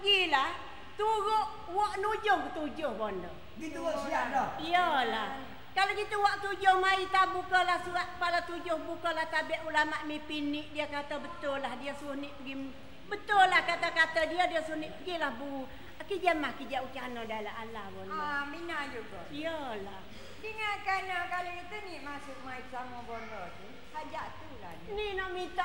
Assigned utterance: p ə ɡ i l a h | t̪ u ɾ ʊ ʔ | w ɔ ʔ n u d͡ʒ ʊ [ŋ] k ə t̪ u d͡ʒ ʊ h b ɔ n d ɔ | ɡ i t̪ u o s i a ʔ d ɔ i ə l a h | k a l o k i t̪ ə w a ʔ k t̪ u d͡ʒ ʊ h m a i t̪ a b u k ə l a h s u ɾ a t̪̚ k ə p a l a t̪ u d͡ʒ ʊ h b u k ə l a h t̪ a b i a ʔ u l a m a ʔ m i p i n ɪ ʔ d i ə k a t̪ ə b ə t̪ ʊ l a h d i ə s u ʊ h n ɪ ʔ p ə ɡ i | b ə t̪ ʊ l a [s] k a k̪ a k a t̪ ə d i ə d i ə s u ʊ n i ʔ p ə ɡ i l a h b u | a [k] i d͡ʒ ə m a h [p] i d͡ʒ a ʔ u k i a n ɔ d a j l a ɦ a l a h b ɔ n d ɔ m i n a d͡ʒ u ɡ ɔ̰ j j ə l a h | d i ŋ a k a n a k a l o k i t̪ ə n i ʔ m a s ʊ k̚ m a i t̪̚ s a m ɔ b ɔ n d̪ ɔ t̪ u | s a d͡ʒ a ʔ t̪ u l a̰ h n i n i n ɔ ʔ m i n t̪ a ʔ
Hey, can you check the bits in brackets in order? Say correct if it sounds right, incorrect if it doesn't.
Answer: correct, incorrect, correct, incorrect

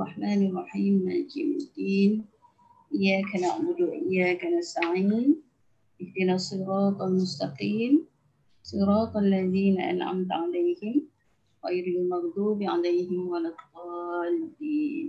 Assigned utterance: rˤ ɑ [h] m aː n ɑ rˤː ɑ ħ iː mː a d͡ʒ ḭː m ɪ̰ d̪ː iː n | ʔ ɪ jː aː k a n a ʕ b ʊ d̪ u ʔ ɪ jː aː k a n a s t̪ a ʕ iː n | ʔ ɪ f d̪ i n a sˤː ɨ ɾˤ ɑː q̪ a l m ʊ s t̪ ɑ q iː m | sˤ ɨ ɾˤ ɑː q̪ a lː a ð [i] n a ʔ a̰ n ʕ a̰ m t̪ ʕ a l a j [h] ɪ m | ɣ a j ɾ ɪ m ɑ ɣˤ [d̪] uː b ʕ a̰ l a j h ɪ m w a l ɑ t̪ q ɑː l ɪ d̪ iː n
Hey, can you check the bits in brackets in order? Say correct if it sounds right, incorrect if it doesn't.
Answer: incorrect, incorrect, correct, correct

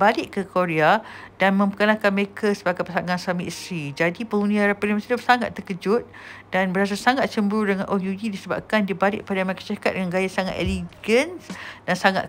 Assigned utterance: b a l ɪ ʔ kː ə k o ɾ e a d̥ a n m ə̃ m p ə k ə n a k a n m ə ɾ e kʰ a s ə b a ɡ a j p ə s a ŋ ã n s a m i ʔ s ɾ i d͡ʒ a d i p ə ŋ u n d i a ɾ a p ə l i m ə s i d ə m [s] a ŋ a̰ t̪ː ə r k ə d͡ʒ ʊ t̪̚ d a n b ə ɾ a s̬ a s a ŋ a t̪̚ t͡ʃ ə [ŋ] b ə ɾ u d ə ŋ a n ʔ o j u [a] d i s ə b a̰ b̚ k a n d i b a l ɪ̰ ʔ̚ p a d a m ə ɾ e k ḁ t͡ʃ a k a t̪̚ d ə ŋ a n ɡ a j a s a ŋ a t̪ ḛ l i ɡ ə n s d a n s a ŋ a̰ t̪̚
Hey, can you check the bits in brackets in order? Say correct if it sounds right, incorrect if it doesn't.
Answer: correct, incorrect, incorrect

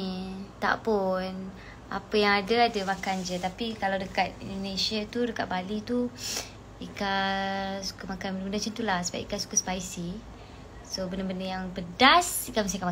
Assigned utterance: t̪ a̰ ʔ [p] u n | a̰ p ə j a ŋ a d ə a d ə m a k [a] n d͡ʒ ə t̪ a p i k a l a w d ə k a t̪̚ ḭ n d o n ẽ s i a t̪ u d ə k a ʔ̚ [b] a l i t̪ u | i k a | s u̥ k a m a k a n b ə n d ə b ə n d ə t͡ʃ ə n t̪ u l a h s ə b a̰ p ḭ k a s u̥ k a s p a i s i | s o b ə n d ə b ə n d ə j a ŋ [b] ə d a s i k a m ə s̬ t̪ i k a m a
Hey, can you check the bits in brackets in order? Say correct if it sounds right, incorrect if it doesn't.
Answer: correct, correct, correct, correct

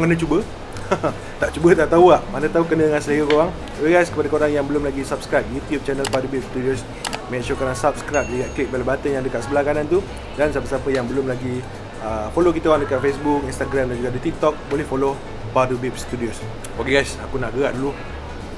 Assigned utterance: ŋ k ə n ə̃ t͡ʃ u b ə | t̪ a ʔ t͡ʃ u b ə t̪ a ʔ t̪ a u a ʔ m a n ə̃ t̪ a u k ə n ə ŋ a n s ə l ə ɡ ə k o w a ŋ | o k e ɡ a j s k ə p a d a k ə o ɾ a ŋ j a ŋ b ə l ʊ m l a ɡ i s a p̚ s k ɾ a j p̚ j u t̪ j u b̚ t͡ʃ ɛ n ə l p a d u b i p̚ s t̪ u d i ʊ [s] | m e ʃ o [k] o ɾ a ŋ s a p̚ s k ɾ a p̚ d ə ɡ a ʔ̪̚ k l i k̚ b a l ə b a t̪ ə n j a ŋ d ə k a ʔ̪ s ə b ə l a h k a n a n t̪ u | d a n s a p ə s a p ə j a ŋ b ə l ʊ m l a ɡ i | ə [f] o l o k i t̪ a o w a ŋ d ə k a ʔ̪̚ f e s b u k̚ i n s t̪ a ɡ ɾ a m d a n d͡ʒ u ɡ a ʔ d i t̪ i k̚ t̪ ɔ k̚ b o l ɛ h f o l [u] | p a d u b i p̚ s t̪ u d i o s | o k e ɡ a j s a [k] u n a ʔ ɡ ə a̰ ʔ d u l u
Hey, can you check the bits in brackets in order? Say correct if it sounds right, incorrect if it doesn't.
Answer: correct, correct, correct, incorrect, correct

